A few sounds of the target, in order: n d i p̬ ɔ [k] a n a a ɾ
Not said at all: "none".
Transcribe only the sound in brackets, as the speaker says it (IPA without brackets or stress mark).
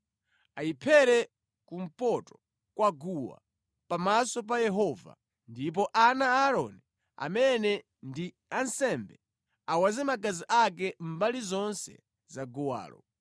ʔ